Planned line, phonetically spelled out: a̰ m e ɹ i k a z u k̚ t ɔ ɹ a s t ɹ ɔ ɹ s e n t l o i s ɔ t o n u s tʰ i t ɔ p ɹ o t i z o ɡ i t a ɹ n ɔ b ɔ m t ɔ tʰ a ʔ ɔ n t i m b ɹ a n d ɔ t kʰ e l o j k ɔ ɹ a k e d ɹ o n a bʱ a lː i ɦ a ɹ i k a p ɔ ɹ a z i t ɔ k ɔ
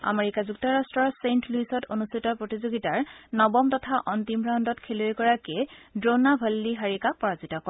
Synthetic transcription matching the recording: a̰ m e ɹ i k a z u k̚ t ɔ ɹ a s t ɹ ɔ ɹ s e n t l u i s ɔ t o n u s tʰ i t ɔ p ɹ o t i z o ɡ i t a ɹ n ɔ b ɔ m t ɔ tʰ a ʔ ɔ n t i m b ɹ a n d ɔ t kʰ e l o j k ɔ ɹ a k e d ɹ o n a bʱ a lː i ɦ a ɹ i k a p ɔ ɹ a z i t ɔ k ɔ